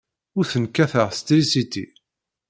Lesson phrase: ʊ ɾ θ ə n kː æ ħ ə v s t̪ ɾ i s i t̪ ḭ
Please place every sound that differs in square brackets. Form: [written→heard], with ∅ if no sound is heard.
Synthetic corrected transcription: ʊ ɾ θ ə n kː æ [ħ→θ] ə [v→ʁ] s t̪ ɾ i s i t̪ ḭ